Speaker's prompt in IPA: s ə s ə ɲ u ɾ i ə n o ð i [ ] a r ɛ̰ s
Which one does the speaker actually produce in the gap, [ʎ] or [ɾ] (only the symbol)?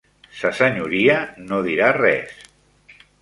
ɾ